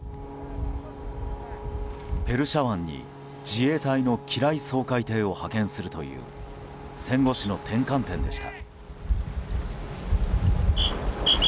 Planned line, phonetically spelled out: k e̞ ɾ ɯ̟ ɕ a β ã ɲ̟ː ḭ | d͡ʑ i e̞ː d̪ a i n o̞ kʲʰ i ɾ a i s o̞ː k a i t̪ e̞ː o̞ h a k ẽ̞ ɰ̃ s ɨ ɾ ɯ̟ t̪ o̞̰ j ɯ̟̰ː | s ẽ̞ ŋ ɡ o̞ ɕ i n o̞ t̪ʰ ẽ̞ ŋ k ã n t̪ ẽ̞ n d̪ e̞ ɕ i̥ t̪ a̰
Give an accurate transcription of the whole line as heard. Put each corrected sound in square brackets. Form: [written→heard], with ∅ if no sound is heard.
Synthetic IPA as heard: [k→p] e̞ ɾ ɯ̟ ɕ a β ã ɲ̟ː ḭ | d͡ʑ i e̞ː [d̪→t̪] a i n o̞ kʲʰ i ɾ a i s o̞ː k a i t̪ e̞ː o̞ h a k ẽ̞ ɰ̃ s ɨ ɾ ɯ̟ t̪ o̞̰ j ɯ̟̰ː | s ẽ̞ ŋ ɡ o̞ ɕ i n o̞ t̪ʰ ẽ̞ ŋ k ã n t̪ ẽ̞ n d̪ e̞ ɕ i̥ t̪ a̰

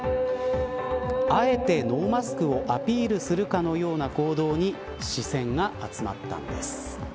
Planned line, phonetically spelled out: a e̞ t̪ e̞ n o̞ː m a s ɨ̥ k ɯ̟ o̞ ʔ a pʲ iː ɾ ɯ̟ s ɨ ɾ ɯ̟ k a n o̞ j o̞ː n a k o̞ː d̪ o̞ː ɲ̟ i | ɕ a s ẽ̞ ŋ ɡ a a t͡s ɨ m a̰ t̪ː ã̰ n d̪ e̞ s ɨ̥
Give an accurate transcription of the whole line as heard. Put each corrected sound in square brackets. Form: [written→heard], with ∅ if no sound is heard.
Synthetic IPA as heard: a e̞ t̪ e̞ n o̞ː m a s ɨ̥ k ɯ̟ o̞ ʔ a pʲ iː ɾ ɯ̟ s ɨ ɾ ɯ̟ k a n o̞ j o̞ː n a k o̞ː d̪ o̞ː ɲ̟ i | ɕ [a→i] s ẽ̞ ŋ ɡ a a t͡s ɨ m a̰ t̪ː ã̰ n d̪ e̞ s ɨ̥

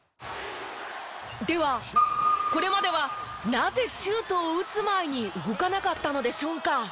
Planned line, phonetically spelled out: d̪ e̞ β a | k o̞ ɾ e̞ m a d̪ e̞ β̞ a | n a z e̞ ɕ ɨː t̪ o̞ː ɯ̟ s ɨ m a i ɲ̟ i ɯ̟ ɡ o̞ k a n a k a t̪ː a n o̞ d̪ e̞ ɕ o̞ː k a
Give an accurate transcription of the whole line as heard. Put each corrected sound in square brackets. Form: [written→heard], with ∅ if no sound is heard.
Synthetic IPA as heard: d̪ e̞ β a | k o̞ ɾ e̞ m a d̪ e̞ β̞ a | n a z e̞ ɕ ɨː t̪ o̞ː ɯ̟ [s→t͡s] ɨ m a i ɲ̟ i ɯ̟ ɡ o̞ k a n a k a t̪ː a n o̞ d̪ e̞ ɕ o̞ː k a

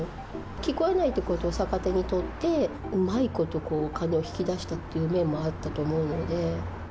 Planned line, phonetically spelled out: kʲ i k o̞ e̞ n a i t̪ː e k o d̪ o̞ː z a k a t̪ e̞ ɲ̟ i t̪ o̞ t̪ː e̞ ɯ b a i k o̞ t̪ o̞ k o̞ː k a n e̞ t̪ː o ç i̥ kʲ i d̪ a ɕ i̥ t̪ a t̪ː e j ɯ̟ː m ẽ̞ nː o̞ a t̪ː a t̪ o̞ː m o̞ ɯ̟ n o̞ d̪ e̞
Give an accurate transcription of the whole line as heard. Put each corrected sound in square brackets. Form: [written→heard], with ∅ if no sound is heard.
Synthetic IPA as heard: kʲ i k o̞ e̞ n a i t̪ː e k o [d̪→t̪] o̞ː [z→s] a k a t̪ e̞ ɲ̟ i t̪ o̞ t̪ː e̞ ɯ [b→m] a i k o̞ t̪ o̞ k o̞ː k a n e̞ [t̪ː→∅] o ç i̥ kʲ i d̪ a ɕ i̥ t̪ a t̪ː e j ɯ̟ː m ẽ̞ [nː→mː] o̞ a t̪ː a t̪ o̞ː m o̞ ɯ̟ n o̞ d̪ e̞

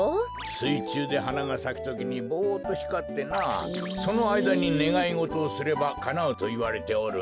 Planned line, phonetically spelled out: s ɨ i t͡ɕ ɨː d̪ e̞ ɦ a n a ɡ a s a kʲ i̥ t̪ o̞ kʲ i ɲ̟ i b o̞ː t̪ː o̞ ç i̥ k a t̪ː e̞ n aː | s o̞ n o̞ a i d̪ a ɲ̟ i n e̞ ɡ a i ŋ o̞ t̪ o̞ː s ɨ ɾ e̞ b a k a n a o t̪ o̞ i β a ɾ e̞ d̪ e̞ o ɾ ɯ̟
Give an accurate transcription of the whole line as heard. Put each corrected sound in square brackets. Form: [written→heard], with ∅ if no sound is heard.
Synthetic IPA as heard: s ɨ i t͡ɕ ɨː d̪ e̞ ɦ a n a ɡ a s a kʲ i̥ t̪ o̞ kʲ i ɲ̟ i b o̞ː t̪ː o̞ ç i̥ k a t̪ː e̞ n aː | s o̞ n o̞ a i d̪ a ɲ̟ i n e̞ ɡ a i ŋ o̞ t̪ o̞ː s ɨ ɾ e̞ b a k a n a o t̪ o̞ i β a ɾ e̞ [d̪→t̪] e̞ o ɾ ɯ̟

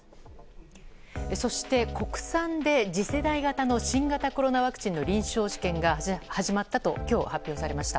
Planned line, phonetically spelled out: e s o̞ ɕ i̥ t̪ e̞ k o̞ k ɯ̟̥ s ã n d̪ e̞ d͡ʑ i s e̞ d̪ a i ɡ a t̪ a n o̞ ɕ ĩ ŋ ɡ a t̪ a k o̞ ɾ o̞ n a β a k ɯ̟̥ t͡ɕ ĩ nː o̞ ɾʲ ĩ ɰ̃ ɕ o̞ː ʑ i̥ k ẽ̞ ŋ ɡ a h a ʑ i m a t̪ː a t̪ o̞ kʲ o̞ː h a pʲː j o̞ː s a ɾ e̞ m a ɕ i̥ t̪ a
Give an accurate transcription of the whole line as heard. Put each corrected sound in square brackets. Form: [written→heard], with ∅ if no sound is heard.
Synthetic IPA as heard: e s o̞ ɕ i̥ t̪ e̞ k o̞ k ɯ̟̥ s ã n d̪ e̞ d͡ʑ i s e̞ d̪ a i ɡ a t̪ a n o̞ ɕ ĩ ŋ ɡ a t̪ a k o̞ ɾ o̞ n a β a k ɯ̟̥ t͡ɕ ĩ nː o̞ ɾʲ ĩ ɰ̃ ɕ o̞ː ʑ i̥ k ẽ̞ ŋ ɡ a h a ʑ i m a t̪ː a t̪ o̞ kʲ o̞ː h a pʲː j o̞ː s a ɾ e̞ m a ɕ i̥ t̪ a

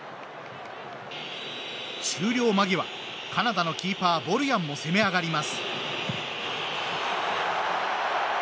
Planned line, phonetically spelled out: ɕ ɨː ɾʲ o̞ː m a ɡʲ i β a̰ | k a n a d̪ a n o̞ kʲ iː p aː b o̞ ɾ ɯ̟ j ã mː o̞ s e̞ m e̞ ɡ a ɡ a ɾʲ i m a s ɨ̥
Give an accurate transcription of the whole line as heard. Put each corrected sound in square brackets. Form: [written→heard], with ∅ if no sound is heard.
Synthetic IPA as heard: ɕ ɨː ɾʲ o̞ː m a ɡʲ i β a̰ | k a n a d̪ a n o̞ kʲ iː p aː b o̞ ɾ ɯ̟ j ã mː o̞ s e̞ m e̞ [ɡ→∅] a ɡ a ɾʲ i m a s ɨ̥

